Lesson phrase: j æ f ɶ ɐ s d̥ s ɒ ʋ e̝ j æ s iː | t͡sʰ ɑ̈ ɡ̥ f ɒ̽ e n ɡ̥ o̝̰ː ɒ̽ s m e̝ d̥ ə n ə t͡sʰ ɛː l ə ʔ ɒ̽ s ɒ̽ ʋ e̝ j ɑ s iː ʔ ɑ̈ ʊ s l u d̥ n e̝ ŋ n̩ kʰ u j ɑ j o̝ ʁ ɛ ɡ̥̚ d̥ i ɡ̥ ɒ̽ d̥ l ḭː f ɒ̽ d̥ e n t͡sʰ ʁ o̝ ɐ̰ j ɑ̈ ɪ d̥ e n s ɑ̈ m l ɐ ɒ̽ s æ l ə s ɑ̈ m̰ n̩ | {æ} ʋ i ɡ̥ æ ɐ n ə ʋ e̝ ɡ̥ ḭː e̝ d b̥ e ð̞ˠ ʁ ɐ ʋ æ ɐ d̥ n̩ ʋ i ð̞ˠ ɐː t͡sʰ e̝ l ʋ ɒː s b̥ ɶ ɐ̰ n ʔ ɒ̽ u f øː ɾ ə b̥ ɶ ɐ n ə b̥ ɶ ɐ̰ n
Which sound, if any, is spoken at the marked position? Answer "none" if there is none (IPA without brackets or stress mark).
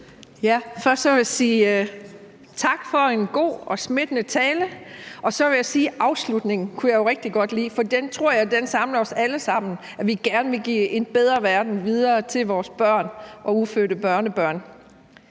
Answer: æ